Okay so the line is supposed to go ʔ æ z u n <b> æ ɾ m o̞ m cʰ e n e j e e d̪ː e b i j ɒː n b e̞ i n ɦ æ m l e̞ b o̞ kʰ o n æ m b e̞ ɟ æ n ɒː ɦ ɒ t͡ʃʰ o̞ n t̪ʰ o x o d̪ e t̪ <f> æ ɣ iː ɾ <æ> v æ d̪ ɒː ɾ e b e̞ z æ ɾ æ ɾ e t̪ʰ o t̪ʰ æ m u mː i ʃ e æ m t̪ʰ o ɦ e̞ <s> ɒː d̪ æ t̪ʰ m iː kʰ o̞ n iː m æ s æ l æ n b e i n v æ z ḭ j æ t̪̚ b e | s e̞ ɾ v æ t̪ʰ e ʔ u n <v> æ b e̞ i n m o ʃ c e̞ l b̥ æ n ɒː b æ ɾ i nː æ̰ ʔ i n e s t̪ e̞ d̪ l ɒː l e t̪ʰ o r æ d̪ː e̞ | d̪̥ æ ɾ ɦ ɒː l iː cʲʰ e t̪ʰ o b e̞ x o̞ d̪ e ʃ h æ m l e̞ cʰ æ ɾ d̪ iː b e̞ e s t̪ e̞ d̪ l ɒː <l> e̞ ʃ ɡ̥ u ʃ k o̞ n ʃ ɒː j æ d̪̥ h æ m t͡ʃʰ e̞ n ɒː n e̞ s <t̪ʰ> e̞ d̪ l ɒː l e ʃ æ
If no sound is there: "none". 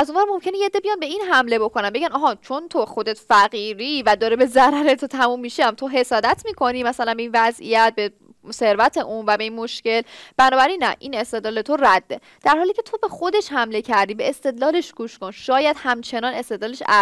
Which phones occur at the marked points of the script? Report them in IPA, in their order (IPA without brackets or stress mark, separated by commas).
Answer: v, f, i, s, v, l, t̪